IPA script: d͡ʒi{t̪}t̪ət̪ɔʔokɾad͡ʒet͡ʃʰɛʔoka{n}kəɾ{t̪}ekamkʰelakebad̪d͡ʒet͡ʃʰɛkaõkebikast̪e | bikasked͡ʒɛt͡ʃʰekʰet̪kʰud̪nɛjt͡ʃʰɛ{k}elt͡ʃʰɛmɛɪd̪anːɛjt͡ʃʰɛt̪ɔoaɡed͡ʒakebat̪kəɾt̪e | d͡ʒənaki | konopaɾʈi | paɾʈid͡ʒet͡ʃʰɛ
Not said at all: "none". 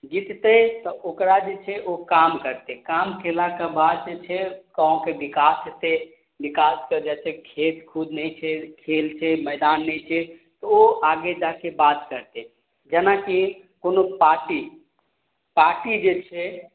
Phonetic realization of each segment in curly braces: t̪, m, t̪, kʰ

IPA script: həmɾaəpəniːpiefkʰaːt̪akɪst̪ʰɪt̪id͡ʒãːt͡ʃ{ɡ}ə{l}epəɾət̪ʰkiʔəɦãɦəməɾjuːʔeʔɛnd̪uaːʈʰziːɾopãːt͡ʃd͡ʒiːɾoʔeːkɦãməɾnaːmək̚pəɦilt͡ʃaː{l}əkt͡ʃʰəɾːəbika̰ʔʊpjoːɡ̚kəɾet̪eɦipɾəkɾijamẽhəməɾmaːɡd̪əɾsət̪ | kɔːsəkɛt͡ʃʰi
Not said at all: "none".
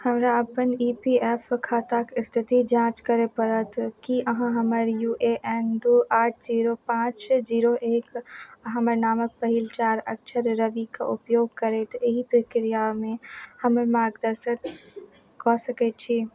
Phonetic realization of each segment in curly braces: k, ɾ, ɾ

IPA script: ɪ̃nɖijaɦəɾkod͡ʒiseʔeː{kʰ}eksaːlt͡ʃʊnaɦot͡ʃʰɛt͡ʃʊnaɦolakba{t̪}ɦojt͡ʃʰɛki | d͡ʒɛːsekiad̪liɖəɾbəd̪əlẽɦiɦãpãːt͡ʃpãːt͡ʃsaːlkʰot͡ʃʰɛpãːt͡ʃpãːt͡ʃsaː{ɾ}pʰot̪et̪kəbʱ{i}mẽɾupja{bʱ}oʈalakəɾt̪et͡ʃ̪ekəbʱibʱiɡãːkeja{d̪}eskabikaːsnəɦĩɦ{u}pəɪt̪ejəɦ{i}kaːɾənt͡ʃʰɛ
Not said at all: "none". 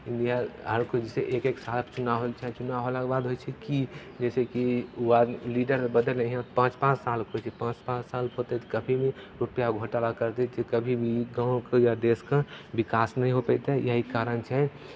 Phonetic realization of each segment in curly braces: k, d̪, l, i, ɡʱ, d̪, o, i

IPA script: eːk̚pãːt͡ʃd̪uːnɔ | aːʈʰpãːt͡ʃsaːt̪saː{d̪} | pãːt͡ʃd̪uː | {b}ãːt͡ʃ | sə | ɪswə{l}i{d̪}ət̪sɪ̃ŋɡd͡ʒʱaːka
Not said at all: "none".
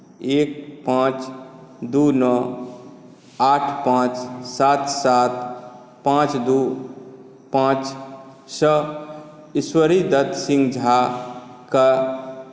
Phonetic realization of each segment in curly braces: t̪, p, ɾ, d̪

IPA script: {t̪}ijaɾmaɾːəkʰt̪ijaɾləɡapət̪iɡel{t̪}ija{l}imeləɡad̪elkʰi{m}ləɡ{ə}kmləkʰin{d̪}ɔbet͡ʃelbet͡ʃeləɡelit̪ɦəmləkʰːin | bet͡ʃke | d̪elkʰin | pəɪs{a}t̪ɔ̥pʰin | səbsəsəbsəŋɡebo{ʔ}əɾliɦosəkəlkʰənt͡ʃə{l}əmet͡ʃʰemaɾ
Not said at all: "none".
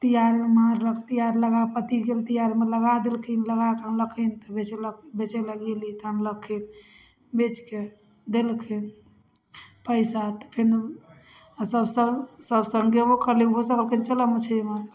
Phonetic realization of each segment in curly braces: t̪, t̪, ɾ, n, a, t̪, a, k, l

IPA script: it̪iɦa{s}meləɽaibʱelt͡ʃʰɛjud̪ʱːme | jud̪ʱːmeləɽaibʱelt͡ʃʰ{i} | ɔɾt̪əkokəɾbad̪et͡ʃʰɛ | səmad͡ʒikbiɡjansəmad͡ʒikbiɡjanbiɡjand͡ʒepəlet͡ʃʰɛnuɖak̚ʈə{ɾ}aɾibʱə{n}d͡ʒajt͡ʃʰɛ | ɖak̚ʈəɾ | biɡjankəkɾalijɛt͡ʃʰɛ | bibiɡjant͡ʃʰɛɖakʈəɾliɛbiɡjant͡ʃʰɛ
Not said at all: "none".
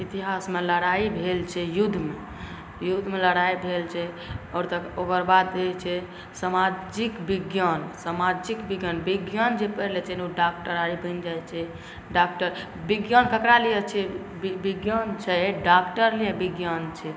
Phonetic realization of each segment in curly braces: s, ɛ, ɾ, n

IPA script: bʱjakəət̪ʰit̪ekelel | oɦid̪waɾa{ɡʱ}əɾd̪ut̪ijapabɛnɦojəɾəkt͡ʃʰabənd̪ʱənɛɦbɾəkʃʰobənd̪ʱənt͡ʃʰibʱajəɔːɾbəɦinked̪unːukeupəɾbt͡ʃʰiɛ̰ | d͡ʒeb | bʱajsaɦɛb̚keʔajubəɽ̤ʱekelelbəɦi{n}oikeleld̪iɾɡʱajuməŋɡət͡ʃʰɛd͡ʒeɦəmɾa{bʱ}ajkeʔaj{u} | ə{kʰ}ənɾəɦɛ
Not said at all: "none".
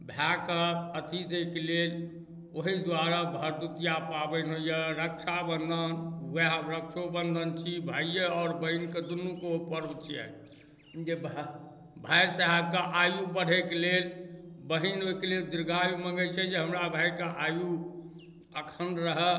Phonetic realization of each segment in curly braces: bʱ, n, bʱ, u, kʰ

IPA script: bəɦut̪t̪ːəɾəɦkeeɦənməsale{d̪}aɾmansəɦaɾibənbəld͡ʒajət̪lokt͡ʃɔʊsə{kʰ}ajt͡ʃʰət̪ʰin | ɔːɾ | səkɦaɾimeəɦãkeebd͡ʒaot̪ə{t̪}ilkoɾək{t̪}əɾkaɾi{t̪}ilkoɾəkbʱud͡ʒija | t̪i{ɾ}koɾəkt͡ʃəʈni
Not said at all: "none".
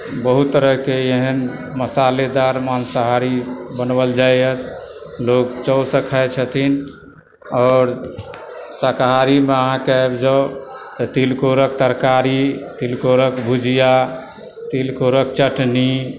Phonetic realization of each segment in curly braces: d̪, kʰ, t̪, t̪, t̪, l

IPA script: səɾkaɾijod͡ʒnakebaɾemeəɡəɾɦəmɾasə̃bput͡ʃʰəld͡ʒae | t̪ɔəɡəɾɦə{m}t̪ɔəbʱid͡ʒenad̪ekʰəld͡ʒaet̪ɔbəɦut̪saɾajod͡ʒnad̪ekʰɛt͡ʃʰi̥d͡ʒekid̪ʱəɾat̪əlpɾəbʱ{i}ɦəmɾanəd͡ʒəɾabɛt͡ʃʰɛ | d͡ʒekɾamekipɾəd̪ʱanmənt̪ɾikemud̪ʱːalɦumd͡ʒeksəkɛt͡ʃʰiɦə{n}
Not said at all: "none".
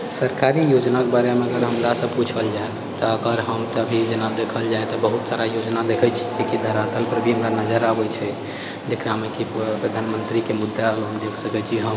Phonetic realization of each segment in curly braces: m, i, m

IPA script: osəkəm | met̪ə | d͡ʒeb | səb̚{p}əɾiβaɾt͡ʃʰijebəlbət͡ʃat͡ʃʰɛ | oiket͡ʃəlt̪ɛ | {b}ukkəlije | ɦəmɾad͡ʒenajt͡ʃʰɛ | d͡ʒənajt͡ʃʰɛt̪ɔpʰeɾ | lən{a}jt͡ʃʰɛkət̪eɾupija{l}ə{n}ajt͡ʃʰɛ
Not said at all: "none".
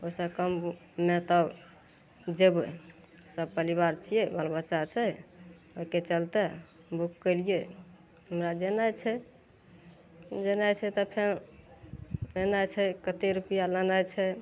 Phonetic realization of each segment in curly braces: p, b, a, l, n

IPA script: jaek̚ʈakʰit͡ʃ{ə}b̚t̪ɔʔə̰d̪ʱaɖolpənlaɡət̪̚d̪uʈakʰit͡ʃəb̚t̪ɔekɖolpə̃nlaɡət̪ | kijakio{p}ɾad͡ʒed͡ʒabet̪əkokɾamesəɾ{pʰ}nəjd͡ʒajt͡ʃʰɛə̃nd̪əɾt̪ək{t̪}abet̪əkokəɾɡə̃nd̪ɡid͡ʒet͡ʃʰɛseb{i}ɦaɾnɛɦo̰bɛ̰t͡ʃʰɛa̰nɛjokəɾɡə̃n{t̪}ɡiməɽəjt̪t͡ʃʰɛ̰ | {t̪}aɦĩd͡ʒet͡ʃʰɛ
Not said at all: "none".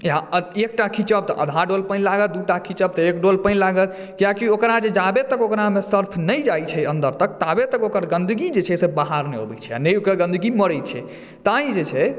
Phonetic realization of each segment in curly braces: ə, k, pʰ, t̪, a, d̪, t̪

